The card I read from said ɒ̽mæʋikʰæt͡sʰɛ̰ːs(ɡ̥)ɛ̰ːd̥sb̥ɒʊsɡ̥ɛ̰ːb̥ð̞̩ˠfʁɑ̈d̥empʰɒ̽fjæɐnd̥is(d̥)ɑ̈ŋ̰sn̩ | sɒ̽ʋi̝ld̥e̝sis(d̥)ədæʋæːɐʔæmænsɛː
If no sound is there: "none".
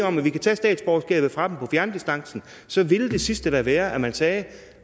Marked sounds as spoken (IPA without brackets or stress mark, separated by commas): d̥, d̥, d̥